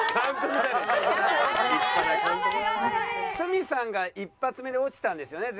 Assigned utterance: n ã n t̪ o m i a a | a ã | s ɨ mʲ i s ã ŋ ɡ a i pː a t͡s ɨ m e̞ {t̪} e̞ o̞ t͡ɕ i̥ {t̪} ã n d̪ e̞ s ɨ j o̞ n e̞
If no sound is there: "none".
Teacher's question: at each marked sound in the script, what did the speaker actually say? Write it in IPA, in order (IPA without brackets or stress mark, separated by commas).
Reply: d̪, t̪